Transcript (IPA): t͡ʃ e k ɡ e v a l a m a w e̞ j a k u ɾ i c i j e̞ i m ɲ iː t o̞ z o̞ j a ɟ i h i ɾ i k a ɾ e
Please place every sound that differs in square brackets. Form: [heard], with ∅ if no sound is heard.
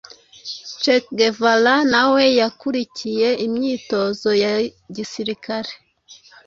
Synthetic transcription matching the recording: t͡ʃ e k ɡ e v a l a [n] a w e̞ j a k u ɾ i c i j e̞ i m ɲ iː t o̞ z o̞ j a ɟ i [s] i ɾ i k a ɾ e